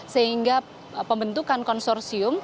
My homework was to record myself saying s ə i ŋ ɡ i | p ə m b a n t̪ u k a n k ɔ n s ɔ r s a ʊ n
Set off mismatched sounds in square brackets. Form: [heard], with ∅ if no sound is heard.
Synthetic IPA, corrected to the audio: s ə i ŋ ɡ [a] | p ə m b [ə] n t̪ u k a n k ɔ n s ɔ r s [i] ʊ [m]